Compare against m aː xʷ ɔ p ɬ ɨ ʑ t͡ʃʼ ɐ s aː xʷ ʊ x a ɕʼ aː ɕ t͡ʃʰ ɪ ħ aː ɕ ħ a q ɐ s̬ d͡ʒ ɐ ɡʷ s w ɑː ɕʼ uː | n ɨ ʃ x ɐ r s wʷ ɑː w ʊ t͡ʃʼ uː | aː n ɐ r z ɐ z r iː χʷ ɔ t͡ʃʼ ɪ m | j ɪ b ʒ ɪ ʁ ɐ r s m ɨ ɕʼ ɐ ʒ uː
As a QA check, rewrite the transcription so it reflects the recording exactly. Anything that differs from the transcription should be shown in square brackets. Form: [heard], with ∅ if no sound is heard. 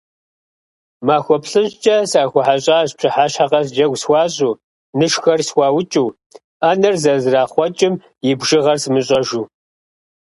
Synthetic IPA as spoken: m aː xʷ ɔ p ɬ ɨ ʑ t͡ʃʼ ɐ s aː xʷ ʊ [ħ] a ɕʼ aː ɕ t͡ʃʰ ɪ ħ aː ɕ ħ a q ɐ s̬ d͡ʒ ɐ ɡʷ s w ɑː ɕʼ uː | n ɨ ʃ x ɐ r s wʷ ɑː w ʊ t͡ʃʼ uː | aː n ɐ r z ɐ z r [aː] χʷ ɔ t͡ʃʼ ɪ m | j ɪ b ʒ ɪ ʁ ɐ r s m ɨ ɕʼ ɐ ʒ uː